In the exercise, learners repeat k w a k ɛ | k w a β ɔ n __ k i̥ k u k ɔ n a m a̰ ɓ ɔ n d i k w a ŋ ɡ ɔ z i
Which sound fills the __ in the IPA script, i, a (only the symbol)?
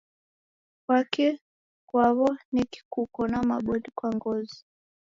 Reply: i